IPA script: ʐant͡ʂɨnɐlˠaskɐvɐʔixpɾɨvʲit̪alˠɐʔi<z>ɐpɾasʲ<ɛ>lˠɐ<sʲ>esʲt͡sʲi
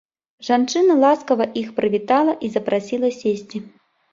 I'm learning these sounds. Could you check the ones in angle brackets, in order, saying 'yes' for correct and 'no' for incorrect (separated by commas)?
yes, no, yes